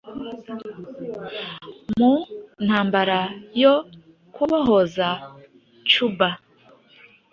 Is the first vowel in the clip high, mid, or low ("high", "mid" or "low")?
high